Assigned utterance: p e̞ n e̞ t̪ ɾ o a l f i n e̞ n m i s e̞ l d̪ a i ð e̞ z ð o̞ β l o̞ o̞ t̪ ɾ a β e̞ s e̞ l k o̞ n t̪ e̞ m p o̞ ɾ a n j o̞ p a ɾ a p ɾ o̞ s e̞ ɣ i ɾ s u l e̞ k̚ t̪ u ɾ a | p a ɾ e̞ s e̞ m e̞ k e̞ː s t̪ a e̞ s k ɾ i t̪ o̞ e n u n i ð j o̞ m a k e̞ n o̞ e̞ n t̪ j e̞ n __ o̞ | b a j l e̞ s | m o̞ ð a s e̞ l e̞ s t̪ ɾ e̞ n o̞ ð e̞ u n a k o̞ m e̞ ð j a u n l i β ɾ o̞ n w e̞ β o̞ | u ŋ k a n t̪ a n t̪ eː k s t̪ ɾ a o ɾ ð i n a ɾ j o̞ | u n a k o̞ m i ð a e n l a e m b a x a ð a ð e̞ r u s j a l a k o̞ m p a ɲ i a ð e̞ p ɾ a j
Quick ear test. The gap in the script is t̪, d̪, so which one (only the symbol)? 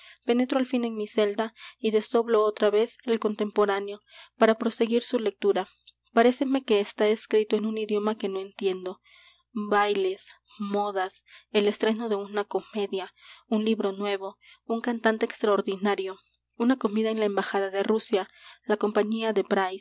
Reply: d̪